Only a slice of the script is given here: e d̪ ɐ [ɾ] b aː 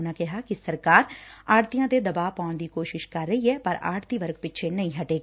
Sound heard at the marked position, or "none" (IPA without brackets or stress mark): none